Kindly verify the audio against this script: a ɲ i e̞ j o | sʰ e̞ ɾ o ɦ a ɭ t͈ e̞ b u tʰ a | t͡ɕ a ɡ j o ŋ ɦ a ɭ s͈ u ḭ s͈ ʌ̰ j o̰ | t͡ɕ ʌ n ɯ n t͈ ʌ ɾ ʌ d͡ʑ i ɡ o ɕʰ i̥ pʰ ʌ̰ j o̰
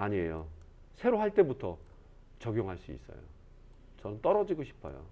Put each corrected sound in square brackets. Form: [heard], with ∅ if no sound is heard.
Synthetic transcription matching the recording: a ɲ i e̞ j o | sʰ e̞ ɾ o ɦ a ɭ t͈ e̞ b u tʰ [ʌ] | t͡ɕ [ʌ] ɡ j o ŋ ɦ a ɭ s͈ u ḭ s͈ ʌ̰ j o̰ | t͡ɕ ʌ n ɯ n t͈ ʌ ɾ ʌ d͡ʑ i ɡ o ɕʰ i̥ pʰ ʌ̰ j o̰